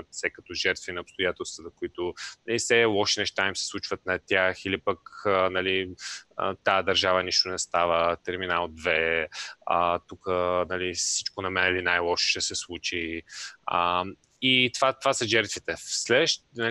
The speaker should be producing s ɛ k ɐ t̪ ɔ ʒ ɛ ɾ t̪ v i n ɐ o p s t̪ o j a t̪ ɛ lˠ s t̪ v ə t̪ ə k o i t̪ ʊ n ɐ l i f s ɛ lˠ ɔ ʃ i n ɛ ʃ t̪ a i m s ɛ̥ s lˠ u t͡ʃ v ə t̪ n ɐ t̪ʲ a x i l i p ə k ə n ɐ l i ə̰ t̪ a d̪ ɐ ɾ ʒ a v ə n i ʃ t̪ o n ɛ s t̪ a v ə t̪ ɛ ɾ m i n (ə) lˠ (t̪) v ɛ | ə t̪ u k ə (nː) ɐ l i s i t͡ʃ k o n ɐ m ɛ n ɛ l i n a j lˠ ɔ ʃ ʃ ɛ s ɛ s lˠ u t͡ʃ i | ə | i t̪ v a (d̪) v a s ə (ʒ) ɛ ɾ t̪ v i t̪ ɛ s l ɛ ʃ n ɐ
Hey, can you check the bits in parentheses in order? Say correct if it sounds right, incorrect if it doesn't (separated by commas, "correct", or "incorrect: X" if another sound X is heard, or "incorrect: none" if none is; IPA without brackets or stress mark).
incorrect: a, incorrect: d̪, incorrect: n, incorrect: t̪, correct